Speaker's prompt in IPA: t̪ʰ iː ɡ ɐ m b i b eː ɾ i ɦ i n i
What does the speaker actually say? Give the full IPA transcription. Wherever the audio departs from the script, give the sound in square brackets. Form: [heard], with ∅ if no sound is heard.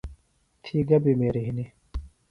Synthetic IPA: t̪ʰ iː ɡ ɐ [∅] b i [m] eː ɾ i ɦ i n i